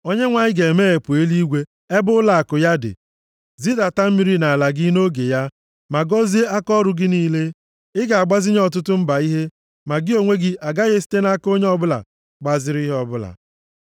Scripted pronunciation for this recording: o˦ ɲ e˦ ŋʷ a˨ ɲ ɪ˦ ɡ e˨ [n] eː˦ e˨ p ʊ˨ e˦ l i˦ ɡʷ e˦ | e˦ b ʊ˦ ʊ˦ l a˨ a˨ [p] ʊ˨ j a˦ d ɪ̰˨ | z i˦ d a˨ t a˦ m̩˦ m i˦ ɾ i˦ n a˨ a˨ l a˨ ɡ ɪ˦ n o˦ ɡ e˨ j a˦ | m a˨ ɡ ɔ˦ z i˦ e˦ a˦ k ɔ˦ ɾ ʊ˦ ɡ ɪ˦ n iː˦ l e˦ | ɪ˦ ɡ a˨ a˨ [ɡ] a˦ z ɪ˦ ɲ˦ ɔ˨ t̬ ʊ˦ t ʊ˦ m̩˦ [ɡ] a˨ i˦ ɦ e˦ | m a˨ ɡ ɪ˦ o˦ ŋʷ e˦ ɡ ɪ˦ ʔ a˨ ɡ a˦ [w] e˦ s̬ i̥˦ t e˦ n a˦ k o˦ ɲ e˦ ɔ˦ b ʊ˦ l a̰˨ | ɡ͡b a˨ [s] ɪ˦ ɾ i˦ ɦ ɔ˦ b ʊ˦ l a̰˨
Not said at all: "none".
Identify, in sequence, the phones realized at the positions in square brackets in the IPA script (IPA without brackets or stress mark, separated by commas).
m, k, ɡ͡b, b, ɣ, z